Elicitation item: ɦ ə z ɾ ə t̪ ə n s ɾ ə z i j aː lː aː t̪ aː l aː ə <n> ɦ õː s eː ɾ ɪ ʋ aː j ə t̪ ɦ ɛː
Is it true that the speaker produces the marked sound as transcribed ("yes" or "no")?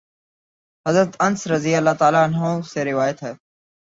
yes